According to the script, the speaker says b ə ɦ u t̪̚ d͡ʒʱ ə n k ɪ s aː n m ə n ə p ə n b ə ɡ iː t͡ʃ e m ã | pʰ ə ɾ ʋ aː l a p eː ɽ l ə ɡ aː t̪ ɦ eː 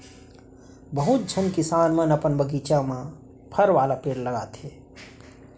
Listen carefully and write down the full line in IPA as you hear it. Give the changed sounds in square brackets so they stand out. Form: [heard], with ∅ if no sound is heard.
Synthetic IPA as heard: b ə ɦ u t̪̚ d͡ʒʱ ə n k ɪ s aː n m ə n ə p ə n b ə ɡ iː t͡ʃ [a] m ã | pʰ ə ɾ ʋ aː l a p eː ɽ l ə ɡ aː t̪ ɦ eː